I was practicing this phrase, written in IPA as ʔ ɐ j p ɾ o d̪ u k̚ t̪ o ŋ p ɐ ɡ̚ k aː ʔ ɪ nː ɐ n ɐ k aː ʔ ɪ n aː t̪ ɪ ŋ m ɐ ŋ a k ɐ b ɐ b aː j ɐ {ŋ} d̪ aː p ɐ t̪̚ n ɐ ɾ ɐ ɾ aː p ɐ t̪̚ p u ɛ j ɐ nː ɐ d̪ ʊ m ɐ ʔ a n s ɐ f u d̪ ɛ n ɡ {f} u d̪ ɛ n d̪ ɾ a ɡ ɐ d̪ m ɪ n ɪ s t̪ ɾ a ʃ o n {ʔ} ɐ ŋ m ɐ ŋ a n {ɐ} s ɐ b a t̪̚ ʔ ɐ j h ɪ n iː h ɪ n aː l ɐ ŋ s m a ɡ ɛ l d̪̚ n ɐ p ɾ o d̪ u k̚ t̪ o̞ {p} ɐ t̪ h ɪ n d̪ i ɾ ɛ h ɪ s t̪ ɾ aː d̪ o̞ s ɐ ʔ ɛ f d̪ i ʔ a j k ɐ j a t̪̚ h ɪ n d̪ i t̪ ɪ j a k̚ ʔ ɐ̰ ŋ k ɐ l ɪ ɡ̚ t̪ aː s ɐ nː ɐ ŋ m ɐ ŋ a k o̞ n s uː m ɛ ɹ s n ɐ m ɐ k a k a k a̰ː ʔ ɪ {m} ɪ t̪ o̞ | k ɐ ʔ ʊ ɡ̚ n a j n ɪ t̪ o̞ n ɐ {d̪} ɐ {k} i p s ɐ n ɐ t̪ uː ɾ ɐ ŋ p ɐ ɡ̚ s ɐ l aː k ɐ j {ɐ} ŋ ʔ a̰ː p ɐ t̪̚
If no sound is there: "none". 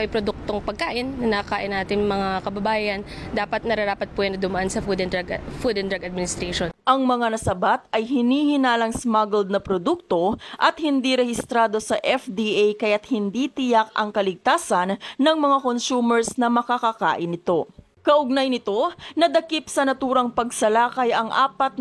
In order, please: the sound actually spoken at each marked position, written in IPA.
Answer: n, f, ʔ, ɐ, ʔ, n, d̪, k, ɐ

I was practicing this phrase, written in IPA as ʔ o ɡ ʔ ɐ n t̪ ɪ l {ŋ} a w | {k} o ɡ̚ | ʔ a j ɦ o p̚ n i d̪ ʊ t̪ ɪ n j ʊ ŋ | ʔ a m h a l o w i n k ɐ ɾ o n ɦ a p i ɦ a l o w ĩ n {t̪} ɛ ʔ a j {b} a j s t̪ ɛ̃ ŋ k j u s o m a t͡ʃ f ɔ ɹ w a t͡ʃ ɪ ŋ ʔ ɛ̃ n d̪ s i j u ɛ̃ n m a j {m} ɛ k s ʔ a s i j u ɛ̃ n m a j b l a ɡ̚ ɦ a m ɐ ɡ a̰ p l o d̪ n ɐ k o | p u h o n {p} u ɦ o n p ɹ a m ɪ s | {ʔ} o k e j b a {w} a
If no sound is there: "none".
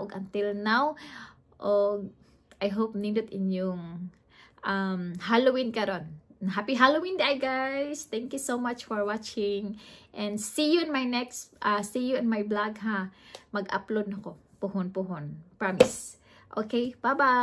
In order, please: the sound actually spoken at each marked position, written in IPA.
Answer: n, ʔ, d̪, ɡ, n, p, ʔ, b

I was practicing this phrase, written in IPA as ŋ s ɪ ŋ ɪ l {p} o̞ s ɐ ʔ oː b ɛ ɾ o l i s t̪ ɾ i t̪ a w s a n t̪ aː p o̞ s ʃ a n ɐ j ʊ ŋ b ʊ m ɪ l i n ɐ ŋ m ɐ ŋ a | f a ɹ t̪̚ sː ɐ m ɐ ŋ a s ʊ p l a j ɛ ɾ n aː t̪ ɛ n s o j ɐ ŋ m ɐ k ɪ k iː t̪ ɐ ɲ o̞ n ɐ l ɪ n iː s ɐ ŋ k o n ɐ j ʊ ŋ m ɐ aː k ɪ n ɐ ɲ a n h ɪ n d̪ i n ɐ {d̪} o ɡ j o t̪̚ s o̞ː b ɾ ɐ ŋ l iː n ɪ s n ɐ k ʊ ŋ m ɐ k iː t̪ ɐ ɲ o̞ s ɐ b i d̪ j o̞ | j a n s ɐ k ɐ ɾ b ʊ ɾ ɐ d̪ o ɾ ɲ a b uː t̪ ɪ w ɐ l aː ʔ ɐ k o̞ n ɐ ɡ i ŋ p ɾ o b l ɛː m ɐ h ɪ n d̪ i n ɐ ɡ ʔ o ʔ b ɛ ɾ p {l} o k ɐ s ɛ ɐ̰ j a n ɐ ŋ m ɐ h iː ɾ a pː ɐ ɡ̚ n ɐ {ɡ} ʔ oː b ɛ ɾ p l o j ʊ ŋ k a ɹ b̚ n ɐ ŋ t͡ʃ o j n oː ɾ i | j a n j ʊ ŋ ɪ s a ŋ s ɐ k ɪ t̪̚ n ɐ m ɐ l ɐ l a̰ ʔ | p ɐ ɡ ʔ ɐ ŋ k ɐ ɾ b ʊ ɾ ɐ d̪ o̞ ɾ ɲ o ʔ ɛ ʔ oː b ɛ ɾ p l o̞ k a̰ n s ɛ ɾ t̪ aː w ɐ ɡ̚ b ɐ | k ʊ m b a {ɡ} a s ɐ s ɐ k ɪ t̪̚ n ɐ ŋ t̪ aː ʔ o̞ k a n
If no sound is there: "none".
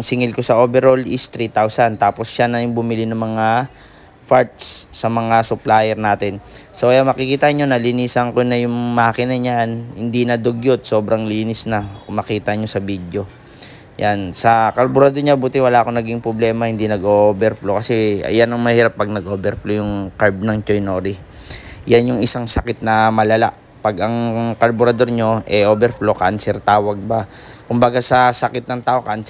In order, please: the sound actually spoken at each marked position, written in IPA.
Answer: k, d̪, l, ɡ, ɡ

